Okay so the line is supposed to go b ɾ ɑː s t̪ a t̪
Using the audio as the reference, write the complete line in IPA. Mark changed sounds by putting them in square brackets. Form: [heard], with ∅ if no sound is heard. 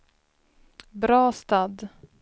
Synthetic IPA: b ɾ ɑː s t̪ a [d̪]